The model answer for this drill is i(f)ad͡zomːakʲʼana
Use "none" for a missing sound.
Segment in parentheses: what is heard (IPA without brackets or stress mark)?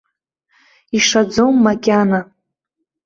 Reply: ʂ